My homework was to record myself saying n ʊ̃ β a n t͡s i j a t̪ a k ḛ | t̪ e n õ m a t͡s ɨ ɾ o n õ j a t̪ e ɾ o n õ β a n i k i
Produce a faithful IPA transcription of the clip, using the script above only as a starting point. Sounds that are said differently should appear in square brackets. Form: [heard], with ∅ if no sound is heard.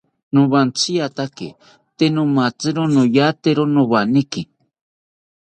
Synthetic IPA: n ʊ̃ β a n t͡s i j a t̪ a k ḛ | t̪ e n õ m a t͡s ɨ ɾ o n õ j a t̪ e ɾ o n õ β a n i k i